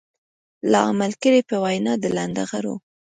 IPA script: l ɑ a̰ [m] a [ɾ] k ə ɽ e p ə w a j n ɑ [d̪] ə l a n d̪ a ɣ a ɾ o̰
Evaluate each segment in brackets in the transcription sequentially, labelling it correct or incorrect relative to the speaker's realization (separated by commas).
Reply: correct, incorrect, correct